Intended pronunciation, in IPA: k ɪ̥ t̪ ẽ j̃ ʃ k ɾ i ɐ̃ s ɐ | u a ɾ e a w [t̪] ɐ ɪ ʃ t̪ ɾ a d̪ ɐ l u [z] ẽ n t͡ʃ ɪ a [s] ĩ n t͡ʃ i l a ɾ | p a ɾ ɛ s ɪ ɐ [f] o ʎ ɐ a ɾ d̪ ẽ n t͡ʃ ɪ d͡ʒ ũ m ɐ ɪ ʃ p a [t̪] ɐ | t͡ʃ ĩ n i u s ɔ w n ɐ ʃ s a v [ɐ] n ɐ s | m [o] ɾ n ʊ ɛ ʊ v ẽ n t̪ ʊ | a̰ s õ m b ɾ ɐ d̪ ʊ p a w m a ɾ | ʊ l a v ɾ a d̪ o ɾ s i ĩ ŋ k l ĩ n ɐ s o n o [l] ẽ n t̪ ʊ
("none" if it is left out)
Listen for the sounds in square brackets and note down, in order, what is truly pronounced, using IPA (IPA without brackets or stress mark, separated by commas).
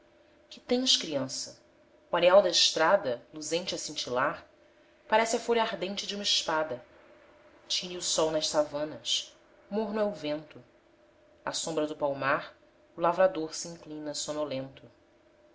d̪, z, s, f, d̪, ɐ̃, o, l